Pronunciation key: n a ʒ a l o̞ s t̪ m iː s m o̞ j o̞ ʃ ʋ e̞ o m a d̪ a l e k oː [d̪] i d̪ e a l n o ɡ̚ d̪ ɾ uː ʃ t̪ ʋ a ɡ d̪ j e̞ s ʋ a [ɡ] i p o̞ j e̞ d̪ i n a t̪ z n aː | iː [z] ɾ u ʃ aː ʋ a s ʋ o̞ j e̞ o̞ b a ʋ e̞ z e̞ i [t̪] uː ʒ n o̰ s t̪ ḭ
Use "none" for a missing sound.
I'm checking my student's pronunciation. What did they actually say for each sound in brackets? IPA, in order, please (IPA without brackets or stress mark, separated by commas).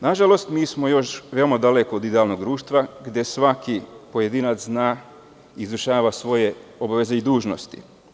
d̪, k, z, d̪